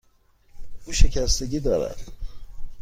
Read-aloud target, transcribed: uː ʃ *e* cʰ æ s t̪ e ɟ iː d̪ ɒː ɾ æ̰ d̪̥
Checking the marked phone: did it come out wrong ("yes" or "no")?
no